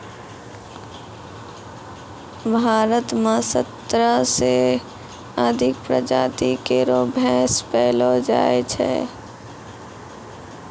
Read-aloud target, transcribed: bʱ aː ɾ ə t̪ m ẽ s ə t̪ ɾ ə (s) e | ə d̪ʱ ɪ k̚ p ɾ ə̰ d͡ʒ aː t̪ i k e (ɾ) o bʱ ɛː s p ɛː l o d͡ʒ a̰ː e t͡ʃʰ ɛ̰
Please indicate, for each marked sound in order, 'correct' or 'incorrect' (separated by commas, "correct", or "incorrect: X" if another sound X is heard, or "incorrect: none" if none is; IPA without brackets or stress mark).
correct, correct